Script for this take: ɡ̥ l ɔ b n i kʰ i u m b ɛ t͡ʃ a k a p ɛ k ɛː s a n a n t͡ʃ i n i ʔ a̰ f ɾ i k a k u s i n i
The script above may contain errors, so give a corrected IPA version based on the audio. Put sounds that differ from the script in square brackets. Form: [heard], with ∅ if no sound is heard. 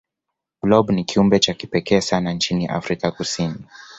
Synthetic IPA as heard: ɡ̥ l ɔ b n i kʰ i u m b ɛ t͡ʃ a k [i] p ɛ k ɛː s a n a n t͡ʃ i n i ʔ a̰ f ɾ i k a k u s i n i